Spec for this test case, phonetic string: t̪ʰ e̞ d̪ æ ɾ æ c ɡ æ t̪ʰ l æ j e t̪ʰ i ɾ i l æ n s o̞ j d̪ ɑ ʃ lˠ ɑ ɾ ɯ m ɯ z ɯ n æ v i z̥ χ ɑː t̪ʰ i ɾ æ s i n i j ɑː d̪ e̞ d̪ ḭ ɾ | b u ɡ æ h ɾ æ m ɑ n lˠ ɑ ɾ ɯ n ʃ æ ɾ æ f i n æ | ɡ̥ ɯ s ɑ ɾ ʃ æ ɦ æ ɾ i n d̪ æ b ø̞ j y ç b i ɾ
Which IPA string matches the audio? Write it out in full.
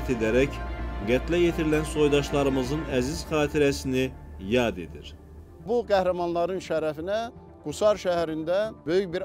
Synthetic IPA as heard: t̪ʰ e̞ d̪ æ ɾ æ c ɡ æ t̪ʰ l æ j e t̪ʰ i ɾ i l æ n s o̞ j d̪ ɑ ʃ lˠ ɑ ɾ ɯ m ɯ z ɯ n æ z i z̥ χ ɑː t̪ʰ i ɾ æ s i n i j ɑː d̪ e̞ d̪ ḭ ɾ | b u ɡ æ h ɾ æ m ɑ n lˠ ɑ ɾ ɯ n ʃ æ ɾ æ f i n æ | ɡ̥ u s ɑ ɾ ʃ æ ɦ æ ɾ i n d̪ æ b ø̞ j y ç b i ɾ